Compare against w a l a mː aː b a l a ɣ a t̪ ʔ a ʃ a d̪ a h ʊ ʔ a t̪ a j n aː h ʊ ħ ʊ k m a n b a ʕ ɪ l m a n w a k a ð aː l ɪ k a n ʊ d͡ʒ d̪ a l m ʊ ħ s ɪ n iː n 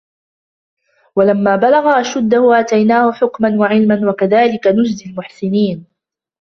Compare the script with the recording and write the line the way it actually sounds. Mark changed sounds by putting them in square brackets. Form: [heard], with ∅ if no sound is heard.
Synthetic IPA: w a l a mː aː b a l a ɣ a [∅] ʔ a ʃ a [d̪ː] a h ʊ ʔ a t̪ a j n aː h ʊ ħ ʊ k m a n [w] a ʕ ɪ l m a n w a k a ð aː l ɪ k a n ʊ d͡ʒ d̪ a l m ʊ ħ s ɪ n iː n

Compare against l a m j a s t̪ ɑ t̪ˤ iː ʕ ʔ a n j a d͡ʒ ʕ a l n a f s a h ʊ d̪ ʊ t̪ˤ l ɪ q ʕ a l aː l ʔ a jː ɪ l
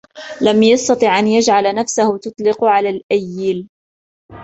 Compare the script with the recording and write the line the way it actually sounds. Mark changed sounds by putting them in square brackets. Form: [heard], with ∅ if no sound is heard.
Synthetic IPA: l a m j [ɑ] s t̪ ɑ t̪ˤ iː ʕ ʔ a n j a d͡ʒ ʕ a l n a f s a h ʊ [t̪] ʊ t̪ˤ l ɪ q ʕ a l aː l ʔ a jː ɪ l

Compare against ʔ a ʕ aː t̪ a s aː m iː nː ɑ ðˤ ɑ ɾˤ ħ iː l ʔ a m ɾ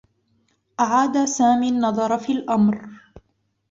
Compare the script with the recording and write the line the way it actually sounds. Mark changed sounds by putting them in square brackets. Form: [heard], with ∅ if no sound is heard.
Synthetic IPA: ʔ a ʕ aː [d̪] a s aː m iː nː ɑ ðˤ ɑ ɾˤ [f] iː l ʔ a m ɾ

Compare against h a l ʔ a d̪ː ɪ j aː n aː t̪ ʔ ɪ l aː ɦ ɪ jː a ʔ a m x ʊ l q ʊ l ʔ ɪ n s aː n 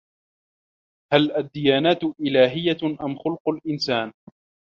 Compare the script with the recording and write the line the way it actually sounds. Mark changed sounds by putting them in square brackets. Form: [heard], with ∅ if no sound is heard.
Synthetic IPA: h a l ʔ a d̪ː ɪ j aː n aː t̪ ʔ ɪ l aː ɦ ɪ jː a ʔ a m x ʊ l q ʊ l ʔ ɪ n s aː n

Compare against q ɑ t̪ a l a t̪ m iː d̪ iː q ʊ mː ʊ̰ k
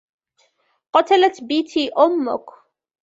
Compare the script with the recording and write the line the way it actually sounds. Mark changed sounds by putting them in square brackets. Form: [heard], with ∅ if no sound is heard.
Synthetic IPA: q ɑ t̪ a l a t̪ [b] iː [t̪] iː [ʔ] ʊ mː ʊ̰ k

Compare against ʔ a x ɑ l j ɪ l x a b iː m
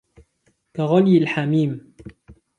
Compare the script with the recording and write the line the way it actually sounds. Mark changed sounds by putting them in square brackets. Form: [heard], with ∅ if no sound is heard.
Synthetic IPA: [k] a [ɣ] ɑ l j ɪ l [ħ] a [m] iː m

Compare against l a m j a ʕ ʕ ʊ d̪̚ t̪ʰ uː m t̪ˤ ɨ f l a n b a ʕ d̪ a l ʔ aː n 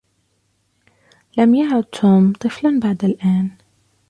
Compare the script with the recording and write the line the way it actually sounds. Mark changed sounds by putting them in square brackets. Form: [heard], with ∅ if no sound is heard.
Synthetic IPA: l a m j a ʕ ʕ ʊ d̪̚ t̪ʰ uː m t̪ˤ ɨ f l a n b a ʕ d̪ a l ʔ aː n

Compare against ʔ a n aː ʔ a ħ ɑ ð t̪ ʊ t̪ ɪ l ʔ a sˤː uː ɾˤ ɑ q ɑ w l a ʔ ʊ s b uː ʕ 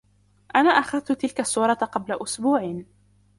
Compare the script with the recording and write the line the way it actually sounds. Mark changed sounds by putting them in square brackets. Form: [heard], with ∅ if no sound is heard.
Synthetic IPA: ʔ a n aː ʔ a [x] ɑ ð t̪ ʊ t̪ ɪ l [k] a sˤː uː ɾˤ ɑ q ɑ [b] l a ʔ ʊ s b uː ʕ

